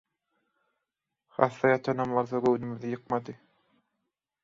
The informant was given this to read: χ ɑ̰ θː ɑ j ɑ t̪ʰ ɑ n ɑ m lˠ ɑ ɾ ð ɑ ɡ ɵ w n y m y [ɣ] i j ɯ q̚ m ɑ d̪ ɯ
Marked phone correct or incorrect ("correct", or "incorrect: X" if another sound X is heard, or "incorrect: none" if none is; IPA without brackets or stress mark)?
incorrect: ð